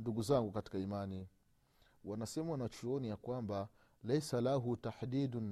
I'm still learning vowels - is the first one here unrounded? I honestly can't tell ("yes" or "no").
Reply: no